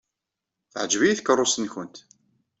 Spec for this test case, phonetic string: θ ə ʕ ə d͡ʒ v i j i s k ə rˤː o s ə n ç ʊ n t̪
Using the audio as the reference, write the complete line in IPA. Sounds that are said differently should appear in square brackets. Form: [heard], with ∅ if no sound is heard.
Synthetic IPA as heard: θ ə ʕ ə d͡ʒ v i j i [θ] k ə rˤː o s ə n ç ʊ n t̪